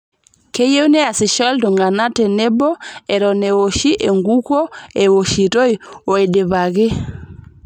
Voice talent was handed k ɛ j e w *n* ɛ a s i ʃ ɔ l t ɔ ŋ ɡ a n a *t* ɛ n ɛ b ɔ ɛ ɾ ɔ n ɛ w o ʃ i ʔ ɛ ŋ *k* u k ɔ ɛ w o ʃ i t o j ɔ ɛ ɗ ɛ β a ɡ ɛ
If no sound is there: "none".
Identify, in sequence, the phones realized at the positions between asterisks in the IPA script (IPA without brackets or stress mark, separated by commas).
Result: n, t, ɡ